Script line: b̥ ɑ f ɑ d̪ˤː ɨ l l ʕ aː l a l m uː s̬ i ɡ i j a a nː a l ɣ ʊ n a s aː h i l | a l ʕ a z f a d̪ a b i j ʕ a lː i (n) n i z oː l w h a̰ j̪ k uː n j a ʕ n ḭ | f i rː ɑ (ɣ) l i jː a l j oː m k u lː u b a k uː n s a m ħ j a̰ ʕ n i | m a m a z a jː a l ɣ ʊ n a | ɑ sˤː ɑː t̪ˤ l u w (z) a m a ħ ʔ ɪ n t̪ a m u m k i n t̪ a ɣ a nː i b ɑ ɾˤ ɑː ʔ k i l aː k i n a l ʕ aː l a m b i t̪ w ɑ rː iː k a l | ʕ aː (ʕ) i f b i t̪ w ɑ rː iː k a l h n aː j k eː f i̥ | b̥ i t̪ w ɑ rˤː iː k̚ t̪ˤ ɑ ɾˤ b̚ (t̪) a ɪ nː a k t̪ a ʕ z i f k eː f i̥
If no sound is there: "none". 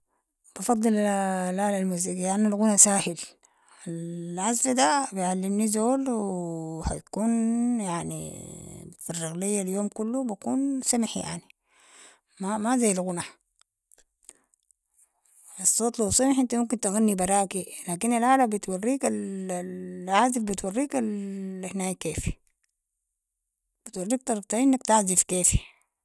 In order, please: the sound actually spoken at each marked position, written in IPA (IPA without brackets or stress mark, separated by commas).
m, ɣ, s, z, t̪